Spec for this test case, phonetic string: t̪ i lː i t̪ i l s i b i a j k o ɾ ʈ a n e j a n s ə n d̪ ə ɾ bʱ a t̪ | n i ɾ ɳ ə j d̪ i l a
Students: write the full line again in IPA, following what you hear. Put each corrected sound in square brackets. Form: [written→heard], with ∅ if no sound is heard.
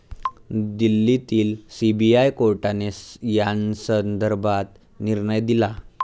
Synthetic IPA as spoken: [t̪→d̪] i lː i t̪ [i→iː] l s i b i a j k o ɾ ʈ a n e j a n s ə n d̪ ə ɾ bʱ a t̪ | n i ɾ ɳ ə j d̪ i l a